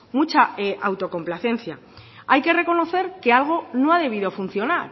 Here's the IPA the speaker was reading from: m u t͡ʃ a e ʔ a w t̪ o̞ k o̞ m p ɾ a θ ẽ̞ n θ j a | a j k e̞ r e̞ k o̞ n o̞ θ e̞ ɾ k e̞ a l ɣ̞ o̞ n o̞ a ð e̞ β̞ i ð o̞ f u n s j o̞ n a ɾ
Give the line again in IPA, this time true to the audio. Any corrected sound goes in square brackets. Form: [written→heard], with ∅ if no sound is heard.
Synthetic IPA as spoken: m u t͡ʃ a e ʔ a w t̪ o̞ k o̞ m p [ɾ→l] a θ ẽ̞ n θ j a | a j k e̞ r e̞ k o̞ n o̞ θ e̞ ɾ k e̞ a l ɣ̞ o̞ n o̞ a ð e̞ β̞ i ð o̞ f u n [s→θ] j o̞ n a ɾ

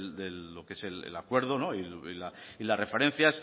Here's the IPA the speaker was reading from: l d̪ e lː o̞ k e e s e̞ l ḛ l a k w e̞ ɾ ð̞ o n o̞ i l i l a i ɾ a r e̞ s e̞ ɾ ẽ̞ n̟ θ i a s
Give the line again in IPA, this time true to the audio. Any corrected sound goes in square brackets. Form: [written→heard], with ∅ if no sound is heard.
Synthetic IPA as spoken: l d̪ e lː o̞ k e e s e̞ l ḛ l a k w e̞ ɾ ð̞ o n o̞ i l i l a i [ɾ→l] a r e̞ [s→f] e̞ ɾ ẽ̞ n̟ θ [i→j] a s

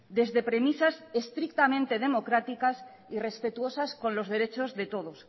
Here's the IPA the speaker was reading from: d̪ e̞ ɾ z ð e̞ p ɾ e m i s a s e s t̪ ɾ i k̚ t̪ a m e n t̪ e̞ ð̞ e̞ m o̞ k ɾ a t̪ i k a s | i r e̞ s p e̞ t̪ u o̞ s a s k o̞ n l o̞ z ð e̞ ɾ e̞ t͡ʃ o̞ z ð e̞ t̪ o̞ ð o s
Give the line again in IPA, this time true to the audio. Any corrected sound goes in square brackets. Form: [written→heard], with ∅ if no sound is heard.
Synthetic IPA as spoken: d̪ e̞ [ɾ→∅] z ð e̞ p ɾ e m i s a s e s t̪ ɾ i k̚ t̪ a m [e→ẽ] n t̪ e̞ ð̞ e̞ m o̞ k ɾ a t̪ i k a s | i r e̞ s p e̞ t̪ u o̞ s a s k o̞ n l o̞ z ð e̞ ɾ e̞ t͡ʃ o̞ z ð e̞ t̪ o̞ ð o s

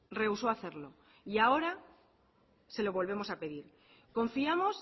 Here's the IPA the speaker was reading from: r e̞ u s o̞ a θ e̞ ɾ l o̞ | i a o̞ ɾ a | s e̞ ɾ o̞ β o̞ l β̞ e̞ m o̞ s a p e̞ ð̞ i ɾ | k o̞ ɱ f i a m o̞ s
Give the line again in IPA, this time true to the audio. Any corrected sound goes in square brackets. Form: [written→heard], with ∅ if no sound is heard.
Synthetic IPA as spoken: r e̞ u s o̞ a θ e̞ ɾ l o̞ | i a o̞ ɾ a | s e̞ [ɾ→l] o̞ β o̞ l β̞ e̞ m o̞ s a p e̞ ð̞ i ɾ | k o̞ ɱ f i a m o̞ s

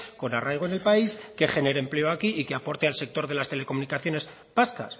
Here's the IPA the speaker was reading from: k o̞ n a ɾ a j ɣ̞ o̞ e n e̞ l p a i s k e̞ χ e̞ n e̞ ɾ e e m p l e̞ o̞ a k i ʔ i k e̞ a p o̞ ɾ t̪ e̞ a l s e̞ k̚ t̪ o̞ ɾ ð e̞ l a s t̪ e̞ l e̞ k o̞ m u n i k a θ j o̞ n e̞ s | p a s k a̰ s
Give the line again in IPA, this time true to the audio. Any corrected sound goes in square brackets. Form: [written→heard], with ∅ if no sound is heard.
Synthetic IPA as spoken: k o̞ n a [ɾ→r] a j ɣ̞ o̞ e n e̞ l p a i s k e̞ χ e̞ n e̞ ɾ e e m p l e̞ o̞ a k i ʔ i k e̞ a p o̞ ɾ t̪ e̞ a l s e̞ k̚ t̪ o̞ ɾ ð e̞ l a s t̪ e̞ l e̞ k o̞ m u n i k a θ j o̞ n e̞ s | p a s k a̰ s

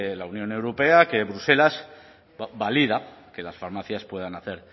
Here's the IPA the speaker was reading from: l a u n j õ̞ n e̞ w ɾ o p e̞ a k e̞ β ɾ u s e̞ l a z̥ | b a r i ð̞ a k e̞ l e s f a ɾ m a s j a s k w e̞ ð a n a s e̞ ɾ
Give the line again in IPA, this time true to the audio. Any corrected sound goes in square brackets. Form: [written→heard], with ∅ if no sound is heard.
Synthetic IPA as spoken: l a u n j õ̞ n e̞ w ɾ o p e̞ a k e̞ β ɾ u s e̞ l a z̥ | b a [r→l] i ð̞ a k e̞ l [e→a] s f a ɾ m a [s→θ] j a s [k→p] w e̞ ð a n a [s→θ] e̞ ɾ

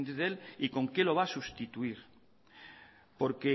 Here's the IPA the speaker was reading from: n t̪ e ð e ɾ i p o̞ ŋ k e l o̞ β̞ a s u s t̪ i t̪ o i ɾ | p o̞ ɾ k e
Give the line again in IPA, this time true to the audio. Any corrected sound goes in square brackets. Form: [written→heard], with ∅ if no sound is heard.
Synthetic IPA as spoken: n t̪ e ð e [ɾ→l] i [p→k] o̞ ŋ k e l o̞ β̞ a s u s t̪ i t̪ [o→u] i ɾ | p o̞ ɾ k e

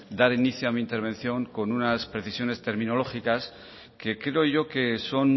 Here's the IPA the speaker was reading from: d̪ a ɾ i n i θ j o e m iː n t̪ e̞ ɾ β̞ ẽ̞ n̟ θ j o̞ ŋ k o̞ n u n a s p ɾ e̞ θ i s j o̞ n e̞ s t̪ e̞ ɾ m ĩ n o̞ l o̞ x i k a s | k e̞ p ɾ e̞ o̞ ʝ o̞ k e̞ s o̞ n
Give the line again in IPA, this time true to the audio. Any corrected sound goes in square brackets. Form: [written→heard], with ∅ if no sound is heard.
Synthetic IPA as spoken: d̪ a ɾ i n i θ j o [e→a] m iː n t̪ e̞ ɾ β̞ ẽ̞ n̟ θ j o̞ ŋ k o̞ n u n a s p ɾ e̞ θ i s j o̞ n e̞ s t̪ e̞ ɾ m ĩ n o̞ l o̞ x i k a s | k e̞ [p→k] ɾ e̞ o̞ ʝ o̞ k e̞ s o̞ n

